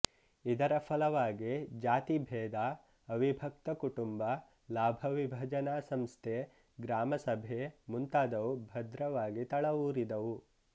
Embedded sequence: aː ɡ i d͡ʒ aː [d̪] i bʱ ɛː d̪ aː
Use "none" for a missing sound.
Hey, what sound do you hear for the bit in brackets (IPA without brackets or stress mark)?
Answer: t̪